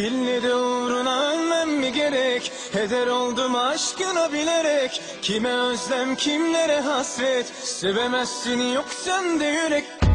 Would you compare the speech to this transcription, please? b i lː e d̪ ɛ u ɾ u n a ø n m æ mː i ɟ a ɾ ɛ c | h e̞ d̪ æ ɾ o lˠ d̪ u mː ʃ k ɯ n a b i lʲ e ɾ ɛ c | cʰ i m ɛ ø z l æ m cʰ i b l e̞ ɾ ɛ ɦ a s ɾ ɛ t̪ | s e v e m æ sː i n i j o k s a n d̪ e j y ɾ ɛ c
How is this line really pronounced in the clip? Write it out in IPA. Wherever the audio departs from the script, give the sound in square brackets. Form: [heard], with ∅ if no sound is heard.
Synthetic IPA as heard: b i lː e d̪ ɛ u ɾ u n a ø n m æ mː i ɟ [e] ɾ ɛ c | h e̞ d̪ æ ɾ o lˠ d̪ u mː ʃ k ɯ n a b i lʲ e ɾ ɛ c | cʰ i m ɛ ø z l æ m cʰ i [m] l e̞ ɾ ɛ ɦ a s ɾ ɛ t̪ | s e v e m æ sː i n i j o k s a n d̪ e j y ɾ ɛ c